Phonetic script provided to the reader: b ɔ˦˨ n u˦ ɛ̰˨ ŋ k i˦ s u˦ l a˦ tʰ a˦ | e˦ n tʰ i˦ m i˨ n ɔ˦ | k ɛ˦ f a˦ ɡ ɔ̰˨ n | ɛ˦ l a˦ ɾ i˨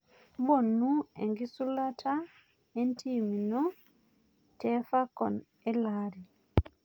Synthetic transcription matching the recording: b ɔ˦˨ n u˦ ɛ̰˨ ŋ ɡ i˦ s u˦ l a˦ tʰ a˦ | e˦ n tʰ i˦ m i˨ n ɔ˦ | t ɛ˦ f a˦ k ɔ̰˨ n | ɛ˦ l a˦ ɾ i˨